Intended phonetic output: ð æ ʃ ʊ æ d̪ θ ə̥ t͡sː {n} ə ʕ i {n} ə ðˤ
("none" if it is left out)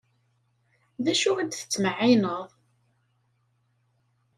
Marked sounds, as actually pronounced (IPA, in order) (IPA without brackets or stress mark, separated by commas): m, n